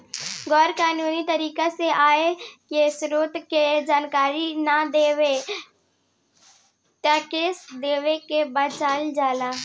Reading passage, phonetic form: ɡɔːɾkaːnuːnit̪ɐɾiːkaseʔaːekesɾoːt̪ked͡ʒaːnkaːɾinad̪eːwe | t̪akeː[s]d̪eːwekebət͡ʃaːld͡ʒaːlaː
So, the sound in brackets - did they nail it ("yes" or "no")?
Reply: yes